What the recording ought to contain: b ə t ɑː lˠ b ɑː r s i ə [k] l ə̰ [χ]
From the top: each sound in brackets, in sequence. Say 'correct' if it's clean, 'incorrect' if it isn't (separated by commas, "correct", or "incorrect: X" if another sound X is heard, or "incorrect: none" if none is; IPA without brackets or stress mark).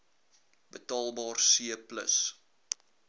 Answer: incorrect: p, incorrect: s